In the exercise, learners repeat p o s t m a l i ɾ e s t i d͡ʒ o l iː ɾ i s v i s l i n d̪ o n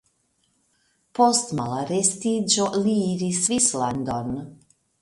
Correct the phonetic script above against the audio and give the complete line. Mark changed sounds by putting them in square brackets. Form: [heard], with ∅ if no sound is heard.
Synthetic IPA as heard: p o s t m a l [a] ɾ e s t i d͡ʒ o l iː ɾ i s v i s l [a] n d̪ o n